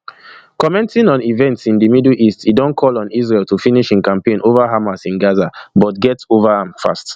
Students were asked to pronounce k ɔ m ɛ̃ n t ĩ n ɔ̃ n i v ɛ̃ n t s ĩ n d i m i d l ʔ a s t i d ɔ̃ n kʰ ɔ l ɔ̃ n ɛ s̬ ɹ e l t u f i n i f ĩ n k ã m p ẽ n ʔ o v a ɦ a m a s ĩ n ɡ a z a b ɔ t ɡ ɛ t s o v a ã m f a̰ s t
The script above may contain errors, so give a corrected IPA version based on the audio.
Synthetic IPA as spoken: k ɔ m ɛ̃ n t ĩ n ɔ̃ n i v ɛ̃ n t s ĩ n d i m i d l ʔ i s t i d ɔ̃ n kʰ ɔ l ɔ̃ n i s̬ ɹ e l t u f i n i ʃ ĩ n k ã m p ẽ n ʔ o v a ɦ a m a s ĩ n ɡ a z a b ɔ t ɡ ɛ t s o v a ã m f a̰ s t